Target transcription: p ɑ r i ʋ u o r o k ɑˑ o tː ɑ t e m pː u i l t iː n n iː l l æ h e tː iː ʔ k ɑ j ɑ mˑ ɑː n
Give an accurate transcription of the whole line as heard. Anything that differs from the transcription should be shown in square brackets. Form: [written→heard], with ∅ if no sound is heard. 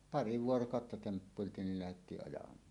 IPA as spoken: p ɑ r i ʋ u o r o k ɑˑ o tː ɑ t e m pː u i l t iː n n [iː→i] l l æ h e tː iː ʔ [k→ʔ] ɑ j ɑ mˑ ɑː n